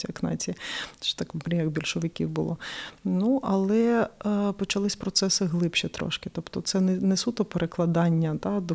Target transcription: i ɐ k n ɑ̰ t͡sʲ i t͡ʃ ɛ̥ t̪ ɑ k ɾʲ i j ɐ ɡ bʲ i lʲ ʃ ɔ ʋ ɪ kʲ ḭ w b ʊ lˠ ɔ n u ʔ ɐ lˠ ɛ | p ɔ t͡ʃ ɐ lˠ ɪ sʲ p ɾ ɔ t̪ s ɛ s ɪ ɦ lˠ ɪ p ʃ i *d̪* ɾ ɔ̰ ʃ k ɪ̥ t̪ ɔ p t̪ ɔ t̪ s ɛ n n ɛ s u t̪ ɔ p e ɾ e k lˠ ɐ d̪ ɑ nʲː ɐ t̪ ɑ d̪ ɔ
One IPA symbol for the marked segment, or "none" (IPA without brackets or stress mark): t̪